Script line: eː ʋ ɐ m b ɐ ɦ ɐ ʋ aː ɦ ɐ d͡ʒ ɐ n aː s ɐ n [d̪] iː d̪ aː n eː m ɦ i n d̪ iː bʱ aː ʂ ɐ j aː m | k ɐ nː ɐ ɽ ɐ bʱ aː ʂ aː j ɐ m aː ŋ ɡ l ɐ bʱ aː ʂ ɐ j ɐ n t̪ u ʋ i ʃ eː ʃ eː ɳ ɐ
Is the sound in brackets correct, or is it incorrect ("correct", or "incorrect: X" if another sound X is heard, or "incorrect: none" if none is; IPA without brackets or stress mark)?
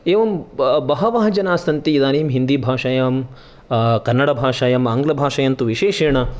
incorrect: t̪